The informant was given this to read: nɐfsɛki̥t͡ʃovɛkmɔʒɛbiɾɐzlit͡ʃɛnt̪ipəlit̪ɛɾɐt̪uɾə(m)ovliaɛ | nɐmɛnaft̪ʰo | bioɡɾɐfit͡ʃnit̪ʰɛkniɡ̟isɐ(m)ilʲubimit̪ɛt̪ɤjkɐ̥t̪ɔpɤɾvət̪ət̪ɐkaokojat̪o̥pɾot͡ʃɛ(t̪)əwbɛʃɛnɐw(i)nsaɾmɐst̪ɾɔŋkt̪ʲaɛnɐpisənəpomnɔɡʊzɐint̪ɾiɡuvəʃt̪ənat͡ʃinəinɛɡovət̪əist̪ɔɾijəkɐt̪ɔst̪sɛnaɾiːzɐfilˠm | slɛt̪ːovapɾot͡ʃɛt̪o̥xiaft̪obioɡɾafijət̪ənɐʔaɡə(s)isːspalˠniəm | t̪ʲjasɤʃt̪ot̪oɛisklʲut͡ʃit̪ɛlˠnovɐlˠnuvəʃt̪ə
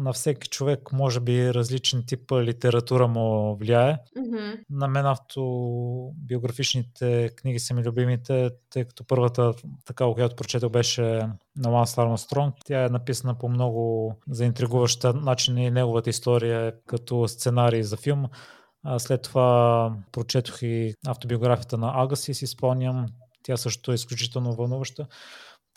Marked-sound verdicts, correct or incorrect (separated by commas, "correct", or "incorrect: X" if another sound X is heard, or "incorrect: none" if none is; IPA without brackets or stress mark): correct, correct, correct, incorrect: a, correct